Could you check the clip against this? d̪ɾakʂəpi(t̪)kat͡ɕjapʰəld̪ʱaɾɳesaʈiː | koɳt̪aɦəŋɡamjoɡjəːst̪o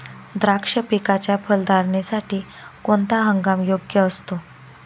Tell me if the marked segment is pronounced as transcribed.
no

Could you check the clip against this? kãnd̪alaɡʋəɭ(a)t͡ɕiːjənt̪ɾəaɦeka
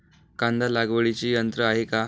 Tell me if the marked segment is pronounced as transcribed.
no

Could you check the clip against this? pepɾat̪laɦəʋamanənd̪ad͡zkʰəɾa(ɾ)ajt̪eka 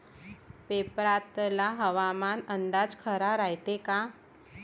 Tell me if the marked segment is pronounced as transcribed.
yes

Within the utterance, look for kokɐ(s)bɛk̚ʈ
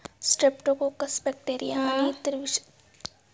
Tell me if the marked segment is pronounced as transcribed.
yes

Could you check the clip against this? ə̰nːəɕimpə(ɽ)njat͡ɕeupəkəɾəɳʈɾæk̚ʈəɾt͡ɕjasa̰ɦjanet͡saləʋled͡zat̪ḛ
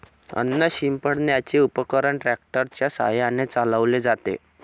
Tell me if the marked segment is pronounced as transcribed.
yes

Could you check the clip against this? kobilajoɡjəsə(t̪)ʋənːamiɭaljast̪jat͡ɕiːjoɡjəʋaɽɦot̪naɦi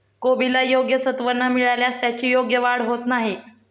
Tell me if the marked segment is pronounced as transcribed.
yes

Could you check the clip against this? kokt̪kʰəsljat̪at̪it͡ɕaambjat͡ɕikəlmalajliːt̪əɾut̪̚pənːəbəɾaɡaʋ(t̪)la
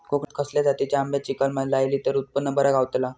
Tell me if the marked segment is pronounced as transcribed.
yes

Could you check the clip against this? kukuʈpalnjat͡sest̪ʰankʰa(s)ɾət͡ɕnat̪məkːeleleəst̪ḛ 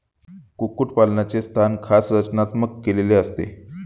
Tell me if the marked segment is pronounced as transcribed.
yes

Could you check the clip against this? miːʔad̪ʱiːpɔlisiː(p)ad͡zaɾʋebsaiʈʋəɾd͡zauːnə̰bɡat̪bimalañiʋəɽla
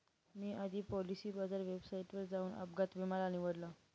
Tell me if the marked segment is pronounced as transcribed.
no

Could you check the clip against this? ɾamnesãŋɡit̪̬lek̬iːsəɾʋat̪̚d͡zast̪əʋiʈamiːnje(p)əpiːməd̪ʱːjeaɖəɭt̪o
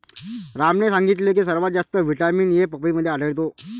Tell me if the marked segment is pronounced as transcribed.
yes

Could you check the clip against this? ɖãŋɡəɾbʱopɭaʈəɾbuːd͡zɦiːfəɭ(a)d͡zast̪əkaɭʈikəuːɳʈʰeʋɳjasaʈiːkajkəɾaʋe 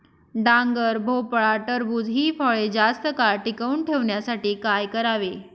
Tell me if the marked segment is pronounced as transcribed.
no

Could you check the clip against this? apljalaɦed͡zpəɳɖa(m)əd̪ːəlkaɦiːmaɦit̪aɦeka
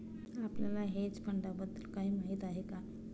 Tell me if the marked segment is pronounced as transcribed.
no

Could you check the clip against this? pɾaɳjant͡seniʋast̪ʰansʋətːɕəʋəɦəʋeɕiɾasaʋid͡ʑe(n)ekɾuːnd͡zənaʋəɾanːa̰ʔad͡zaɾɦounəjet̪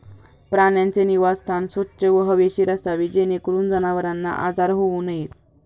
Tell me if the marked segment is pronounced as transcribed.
yes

